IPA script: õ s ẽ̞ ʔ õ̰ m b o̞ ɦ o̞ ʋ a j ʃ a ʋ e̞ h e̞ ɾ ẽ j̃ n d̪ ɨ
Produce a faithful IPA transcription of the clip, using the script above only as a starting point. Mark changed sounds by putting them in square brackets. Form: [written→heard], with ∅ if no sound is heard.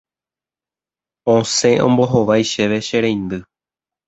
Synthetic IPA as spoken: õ s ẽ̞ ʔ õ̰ m b o̞ ɦ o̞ ʋ a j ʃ [a→e] ʋ e̞ [h→ʃ] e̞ ɾ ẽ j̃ n d̪ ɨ